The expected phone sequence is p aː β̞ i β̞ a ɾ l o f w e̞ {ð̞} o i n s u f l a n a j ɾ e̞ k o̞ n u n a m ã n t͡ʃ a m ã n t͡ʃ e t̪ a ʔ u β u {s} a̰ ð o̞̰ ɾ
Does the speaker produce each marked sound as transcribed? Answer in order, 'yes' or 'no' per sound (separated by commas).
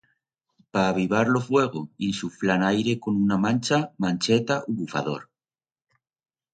no, no